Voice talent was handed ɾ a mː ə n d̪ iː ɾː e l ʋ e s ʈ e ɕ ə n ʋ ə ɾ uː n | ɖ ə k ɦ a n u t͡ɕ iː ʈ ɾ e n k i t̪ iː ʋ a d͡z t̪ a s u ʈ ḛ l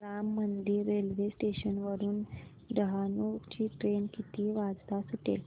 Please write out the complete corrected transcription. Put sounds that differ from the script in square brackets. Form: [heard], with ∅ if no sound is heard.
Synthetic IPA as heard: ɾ a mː ə n d̪ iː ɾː e l ʋ e s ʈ e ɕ ə n ʋ ə ɾ uː n | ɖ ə [∅] ɦ a n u t͡ɕ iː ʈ ɾ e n k i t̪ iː ʋ a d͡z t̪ a s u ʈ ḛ l